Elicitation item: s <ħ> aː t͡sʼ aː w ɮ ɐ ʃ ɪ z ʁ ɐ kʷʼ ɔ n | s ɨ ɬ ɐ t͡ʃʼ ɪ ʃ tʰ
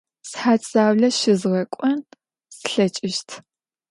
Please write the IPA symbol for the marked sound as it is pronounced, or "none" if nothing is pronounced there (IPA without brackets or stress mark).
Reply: ħ